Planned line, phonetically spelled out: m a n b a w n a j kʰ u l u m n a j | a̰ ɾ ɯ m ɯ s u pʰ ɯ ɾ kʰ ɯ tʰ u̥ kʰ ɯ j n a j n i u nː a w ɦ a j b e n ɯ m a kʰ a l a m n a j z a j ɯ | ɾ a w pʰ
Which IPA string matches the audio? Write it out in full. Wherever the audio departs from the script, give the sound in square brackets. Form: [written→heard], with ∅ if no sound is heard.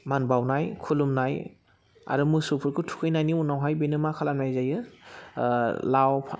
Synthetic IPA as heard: m a n b a w n a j kʰ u l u m n a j | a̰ ɾ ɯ m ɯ s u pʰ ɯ ɾ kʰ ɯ tʰ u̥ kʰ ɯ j n a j n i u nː a w ɦ a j b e n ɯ m a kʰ a l a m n a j z a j ɯ | [ɾ→l] a w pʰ